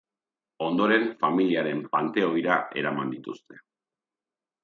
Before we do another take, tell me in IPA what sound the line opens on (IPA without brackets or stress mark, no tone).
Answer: o̞